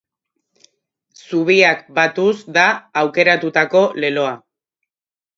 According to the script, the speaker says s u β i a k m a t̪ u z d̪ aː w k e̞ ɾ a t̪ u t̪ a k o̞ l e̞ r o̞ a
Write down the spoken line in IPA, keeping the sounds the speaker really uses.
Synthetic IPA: s u β i a k b a t̪ u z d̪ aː w k e̞ ɾ a t̪ u t̪ a k o̞ l e̞ l o̞ a